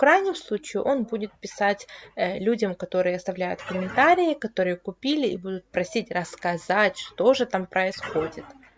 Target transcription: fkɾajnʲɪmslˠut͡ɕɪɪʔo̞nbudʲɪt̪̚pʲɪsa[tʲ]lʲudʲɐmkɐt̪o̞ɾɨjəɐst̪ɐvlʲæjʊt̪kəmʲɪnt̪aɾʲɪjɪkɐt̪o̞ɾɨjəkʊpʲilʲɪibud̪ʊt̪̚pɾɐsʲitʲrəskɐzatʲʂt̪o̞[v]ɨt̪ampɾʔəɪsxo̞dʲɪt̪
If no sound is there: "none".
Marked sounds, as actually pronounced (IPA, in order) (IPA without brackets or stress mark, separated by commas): tʲ, ʐ